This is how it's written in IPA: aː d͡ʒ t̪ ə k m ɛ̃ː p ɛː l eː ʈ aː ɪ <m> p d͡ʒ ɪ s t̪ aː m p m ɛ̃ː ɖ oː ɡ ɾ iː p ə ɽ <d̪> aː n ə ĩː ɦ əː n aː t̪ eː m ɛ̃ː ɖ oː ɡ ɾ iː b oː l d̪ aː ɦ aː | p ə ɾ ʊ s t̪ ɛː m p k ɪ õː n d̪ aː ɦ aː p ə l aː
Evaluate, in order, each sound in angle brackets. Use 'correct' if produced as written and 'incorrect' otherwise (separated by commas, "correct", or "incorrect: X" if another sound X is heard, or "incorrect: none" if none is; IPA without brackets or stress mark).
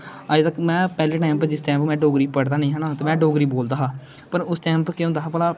correct, correct